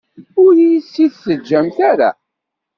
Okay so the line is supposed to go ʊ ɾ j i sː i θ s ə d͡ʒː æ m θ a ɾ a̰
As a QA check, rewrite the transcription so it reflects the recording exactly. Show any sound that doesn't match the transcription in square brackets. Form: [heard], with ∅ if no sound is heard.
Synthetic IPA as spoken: ʊ ɾ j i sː i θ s ə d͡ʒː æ m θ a ɾ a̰